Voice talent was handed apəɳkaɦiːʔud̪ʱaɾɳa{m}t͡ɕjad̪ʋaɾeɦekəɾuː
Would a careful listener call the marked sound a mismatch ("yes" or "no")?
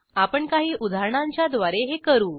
yes